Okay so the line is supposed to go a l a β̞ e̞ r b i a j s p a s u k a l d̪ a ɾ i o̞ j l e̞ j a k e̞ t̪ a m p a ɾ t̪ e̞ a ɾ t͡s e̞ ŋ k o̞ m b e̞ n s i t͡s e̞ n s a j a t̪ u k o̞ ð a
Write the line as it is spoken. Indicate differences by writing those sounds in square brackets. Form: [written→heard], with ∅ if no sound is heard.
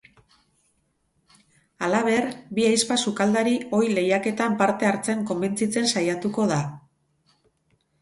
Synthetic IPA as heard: a l a β̞ e̞ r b i a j s p a s u k a l d̪ a ɾ i o̞ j l e̞ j a k e̞ t̪ a m p a ɾ t̪ e̞ a ɾ t͡s e̞ ŋ k o̞ m b e̞ n [s→t͡s] i t͡s e̞ n s a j a t̪ u k o̞ ð a